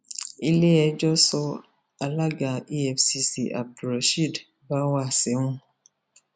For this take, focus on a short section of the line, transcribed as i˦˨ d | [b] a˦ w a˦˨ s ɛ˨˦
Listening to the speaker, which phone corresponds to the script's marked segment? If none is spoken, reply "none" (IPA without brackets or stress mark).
b